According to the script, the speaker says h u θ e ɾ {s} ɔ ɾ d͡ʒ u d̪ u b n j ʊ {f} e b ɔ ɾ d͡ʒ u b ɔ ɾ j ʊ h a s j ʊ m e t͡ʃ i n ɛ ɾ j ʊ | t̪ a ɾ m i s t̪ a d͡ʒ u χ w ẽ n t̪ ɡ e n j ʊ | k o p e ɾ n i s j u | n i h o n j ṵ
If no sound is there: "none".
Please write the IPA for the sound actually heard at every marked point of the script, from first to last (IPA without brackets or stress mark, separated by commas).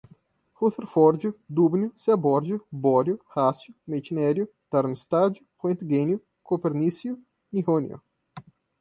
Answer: f, s